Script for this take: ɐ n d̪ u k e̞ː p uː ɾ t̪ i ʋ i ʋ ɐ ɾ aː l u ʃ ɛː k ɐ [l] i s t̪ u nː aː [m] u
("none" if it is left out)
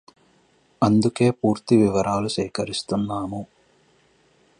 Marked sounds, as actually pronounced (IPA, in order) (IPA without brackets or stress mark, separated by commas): ɾ, m